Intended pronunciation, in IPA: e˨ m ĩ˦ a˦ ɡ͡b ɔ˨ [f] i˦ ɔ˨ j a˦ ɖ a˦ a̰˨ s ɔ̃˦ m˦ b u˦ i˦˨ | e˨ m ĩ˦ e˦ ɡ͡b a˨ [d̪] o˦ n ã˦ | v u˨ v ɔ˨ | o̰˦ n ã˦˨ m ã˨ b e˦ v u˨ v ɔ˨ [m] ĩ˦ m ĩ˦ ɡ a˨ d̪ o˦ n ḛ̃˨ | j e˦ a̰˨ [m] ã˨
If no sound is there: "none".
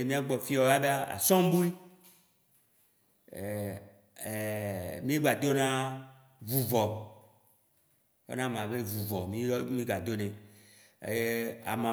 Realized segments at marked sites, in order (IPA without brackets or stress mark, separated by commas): f, d̪, m, m